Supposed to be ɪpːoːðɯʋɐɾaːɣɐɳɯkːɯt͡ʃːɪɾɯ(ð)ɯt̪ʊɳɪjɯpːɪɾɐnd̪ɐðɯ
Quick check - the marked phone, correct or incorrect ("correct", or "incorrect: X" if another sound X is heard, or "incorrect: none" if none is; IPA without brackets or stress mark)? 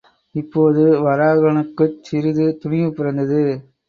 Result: correct